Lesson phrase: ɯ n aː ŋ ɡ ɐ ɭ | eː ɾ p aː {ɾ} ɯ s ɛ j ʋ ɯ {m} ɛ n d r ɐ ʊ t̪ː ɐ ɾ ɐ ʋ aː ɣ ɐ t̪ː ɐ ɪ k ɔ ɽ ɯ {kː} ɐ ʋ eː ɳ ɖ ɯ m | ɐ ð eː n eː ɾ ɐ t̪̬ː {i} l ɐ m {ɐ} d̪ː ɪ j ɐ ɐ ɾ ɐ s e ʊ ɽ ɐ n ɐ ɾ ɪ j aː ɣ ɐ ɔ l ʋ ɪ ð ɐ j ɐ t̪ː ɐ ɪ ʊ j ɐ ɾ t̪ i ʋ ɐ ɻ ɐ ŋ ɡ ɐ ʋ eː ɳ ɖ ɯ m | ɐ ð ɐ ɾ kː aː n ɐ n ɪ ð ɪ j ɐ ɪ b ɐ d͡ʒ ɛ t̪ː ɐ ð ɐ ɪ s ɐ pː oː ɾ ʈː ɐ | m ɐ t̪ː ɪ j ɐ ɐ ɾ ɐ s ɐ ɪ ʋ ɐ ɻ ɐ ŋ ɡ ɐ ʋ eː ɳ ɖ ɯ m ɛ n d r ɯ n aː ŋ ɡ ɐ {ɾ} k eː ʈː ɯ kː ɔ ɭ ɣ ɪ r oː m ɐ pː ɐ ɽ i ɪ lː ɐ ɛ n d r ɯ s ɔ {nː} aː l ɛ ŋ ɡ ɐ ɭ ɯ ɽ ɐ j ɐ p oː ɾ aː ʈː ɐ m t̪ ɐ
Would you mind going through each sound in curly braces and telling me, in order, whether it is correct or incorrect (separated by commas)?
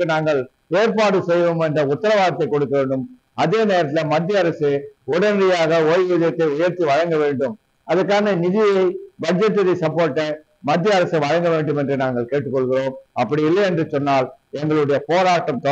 incorrect, correct, correct, incorrect, correct, incorrect, correct